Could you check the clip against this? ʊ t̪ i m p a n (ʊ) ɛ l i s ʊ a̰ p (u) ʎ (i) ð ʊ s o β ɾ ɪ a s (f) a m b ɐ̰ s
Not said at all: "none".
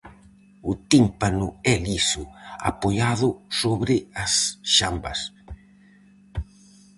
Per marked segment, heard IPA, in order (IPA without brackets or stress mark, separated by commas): ʊ, o, a, ʃ